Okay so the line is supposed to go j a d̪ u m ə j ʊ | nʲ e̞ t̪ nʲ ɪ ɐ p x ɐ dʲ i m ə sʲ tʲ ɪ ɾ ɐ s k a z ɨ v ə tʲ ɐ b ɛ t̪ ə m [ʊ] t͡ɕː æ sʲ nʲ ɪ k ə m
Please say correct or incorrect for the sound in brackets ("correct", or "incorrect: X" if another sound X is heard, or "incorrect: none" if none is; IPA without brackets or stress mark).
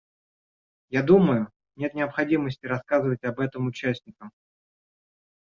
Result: correct